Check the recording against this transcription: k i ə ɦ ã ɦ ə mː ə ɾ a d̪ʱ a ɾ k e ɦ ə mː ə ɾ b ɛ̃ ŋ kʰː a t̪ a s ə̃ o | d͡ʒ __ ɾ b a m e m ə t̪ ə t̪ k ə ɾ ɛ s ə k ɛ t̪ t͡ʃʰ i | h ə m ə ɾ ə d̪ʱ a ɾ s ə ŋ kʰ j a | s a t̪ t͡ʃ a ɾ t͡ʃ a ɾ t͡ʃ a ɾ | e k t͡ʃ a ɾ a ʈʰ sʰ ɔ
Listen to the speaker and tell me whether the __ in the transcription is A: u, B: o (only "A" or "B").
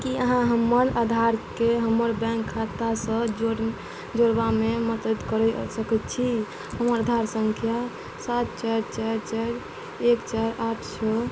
B